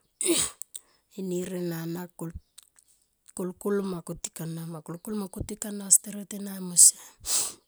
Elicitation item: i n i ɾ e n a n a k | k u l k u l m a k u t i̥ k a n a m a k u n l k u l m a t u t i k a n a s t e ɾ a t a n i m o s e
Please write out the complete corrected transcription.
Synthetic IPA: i n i ɾ e n a n a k | k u l k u l m a k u t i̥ k a n a m a k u l k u l m a k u t i k a n a s t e ɾ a t e n a m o s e